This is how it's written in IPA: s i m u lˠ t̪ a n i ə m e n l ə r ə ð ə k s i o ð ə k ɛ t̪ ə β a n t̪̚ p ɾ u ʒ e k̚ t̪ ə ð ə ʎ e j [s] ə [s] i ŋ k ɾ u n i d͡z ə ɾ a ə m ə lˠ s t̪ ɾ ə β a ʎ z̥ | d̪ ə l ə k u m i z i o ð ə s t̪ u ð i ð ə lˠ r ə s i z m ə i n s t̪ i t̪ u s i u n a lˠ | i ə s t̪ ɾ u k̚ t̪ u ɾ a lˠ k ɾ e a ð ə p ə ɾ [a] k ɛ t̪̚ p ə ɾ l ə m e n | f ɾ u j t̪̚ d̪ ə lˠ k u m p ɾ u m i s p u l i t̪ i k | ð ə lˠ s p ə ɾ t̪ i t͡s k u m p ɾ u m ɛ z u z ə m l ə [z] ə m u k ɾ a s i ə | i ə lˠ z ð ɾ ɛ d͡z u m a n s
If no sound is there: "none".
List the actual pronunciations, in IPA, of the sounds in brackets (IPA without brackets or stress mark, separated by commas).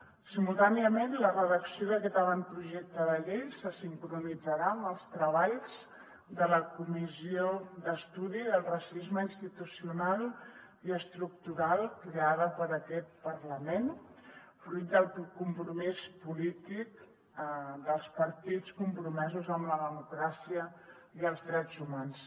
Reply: s, s, ə, ð